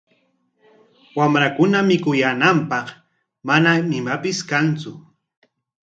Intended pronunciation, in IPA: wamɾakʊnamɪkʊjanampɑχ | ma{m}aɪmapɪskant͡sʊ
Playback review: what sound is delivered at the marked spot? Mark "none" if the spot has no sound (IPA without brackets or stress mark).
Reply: n